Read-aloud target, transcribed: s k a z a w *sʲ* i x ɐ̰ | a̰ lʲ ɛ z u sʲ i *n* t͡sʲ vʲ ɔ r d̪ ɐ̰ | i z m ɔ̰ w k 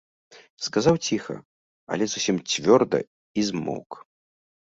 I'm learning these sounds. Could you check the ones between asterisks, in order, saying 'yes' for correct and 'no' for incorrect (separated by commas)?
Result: no, no